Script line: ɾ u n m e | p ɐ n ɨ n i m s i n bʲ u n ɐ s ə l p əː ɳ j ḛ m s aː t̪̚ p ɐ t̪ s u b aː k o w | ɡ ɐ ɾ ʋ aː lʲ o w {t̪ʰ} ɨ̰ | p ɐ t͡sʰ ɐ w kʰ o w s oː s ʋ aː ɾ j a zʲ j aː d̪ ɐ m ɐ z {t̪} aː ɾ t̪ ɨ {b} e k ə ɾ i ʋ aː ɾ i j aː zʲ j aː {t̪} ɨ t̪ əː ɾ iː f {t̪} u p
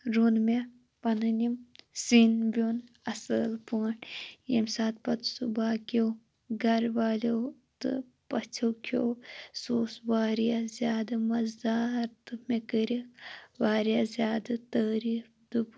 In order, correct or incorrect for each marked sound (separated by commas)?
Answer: incorrect, incorrect, incorrect, incorrect, incorrect